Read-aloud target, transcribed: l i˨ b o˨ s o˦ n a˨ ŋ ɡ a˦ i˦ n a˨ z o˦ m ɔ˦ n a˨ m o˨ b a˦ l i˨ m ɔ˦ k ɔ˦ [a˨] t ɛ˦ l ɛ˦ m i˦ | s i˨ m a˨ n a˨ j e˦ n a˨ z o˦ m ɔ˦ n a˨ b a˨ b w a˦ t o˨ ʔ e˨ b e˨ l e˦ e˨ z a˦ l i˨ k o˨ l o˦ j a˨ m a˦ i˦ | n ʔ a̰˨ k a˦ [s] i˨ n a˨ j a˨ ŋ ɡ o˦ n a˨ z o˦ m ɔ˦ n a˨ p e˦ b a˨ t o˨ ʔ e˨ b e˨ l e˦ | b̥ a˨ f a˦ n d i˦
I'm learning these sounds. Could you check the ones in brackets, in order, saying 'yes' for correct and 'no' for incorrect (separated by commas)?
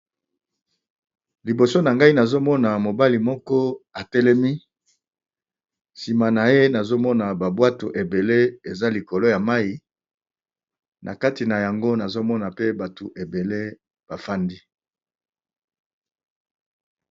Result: yes, no